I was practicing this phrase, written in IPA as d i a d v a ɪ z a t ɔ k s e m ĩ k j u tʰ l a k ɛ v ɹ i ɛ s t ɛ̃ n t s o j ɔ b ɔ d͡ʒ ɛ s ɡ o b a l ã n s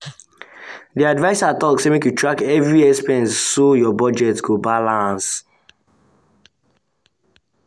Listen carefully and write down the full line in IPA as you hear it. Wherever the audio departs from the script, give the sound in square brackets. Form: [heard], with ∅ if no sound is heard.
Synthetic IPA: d i a d v a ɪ [s] a t ɔ k s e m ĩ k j u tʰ [ɹ] a k ɛ v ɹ i ɛ s [p] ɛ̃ n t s o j ɔ b ɔ d͡ʒ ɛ [t] ɡ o b a l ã n s